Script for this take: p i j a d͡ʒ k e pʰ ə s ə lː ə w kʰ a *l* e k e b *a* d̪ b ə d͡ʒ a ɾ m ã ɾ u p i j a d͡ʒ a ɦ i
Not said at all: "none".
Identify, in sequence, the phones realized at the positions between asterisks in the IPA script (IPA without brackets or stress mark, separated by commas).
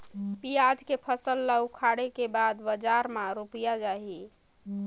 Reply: ɽ, a